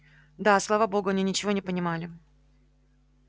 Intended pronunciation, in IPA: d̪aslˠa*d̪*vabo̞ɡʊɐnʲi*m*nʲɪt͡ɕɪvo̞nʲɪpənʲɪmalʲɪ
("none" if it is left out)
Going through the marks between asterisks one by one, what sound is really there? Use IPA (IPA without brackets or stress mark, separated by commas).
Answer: none, none